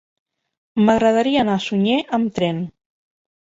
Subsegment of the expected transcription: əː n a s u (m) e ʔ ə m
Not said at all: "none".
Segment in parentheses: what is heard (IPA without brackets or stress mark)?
ɲ